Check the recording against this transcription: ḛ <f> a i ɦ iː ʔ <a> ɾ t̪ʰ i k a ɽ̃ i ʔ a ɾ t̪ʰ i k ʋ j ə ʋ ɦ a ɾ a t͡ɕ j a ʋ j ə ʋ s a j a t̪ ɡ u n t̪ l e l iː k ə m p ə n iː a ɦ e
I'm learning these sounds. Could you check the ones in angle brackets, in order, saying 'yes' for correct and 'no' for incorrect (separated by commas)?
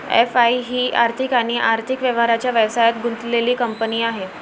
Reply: yes, yes